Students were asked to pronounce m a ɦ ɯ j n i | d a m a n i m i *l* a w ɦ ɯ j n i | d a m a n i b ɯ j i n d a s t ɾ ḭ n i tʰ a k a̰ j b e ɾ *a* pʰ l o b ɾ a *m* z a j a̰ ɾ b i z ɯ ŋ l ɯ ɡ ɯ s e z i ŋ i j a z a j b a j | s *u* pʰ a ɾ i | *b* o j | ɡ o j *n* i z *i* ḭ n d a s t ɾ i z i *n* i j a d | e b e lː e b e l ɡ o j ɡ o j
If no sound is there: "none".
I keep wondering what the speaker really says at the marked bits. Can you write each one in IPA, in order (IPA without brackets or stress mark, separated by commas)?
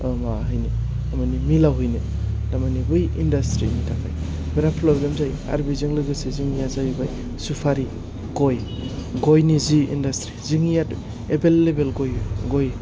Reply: l, a, m, u, ɡ, n, i, ŋ